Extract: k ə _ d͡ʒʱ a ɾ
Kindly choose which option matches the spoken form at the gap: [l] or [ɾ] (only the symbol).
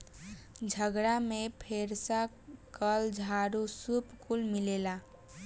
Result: l